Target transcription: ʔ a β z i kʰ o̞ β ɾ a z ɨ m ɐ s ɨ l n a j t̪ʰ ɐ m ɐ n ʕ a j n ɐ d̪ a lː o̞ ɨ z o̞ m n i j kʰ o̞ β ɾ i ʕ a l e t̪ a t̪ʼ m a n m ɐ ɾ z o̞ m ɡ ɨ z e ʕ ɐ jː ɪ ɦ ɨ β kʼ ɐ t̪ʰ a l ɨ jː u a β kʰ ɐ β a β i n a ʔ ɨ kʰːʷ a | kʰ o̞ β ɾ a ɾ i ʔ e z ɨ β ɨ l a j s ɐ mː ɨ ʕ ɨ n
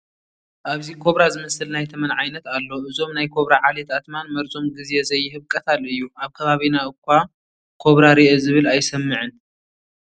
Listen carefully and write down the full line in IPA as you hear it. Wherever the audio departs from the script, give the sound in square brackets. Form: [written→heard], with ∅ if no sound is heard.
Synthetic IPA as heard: ʔ a β z i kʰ o̞ β ɾ a z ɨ m ɐ s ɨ l n a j t̪ʰ ɐ m ɐ n ʕ a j n ɐ [d̪→t̪] a lː o̞ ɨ z o̞ m n [i→a] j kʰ o̞ β ɾ [i→a] ʕ a l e t̪ a [t̪ʼ→t̪] m a n m ɐ ɾ z o̞ m ɡ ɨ z e [ʕ→z] ɐ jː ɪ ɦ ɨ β kʼ ɐ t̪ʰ a l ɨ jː u a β kʰ ɐ β a β i n a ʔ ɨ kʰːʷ a | kʰ o̞ β ɾ a ɾ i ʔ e z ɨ β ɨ l a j s ɐ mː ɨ ʕ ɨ n

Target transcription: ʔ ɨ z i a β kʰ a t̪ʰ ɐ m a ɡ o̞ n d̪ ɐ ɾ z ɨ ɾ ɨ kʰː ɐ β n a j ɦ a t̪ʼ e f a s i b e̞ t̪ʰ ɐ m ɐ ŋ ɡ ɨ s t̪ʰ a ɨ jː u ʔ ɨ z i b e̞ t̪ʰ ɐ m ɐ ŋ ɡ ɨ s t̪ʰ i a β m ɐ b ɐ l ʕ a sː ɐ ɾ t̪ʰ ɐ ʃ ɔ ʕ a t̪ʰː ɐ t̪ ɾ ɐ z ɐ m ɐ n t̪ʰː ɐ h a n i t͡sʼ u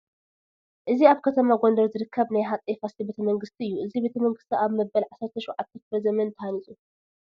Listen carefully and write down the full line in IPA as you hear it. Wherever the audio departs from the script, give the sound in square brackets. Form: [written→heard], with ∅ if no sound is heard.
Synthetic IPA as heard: ʔ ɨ z i a β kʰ [a→ɐ] t̪ʰ ɐ m a ɡ o̞ n d̪ ɐ ɾ z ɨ ɾ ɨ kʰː ɐ β n a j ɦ a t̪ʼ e f a s i b e̞ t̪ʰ ɐ m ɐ ŋ ɡ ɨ s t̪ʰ [a→i] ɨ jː u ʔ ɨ z i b e̞ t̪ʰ ɐ m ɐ ŋ ɡ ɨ s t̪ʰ i a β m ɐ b ɐ l ʕ a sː ɐ ɾ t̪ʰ ɐ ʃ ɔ ʕ a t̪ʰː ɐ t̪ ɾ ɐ z ɐ m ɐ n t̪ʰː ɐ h a n i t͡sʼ u

